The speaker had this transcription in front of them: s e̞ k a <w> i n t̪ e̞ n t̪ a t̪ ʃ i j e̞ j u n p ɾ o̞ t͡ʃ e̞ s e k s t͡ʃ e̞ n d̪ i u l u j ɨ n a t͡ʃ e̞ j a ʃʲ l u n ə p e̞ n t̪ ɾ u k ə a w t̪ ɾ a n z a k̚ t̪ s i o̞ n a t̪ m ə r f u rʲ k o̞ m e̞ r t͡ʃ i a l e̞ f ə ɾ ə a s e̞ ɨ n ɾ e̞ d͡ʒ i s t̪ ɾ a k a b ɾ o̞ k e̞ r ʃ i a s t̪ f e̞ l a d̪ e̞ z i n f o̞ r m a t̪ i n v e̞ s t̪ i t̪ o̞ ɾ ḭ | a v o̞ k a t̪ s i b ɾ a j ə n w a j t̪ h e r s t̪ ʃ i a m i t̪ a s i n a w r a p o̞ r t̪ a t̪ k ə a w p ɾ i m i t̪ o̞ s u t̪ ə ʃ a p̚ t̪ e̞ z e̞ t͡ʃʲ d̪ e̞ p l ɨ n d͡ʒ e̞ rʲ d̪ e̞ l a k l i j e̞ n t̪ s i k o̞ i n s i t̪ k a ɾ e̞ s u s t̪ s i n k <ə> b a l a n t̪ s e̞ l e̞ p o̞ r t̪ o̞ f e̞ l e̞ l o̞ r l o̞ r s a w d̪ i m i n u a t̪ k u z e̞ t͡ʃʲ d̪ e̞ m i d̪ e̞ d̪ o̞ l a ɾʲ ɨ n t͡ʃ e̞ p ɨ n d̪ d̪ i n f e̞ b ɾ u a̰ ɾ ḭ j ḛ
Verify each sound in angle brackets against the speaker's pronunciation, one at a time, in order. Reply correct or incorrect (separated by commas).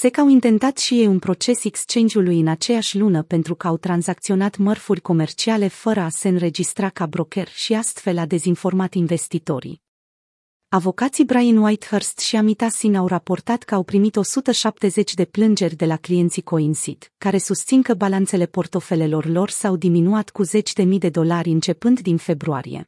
correct, correct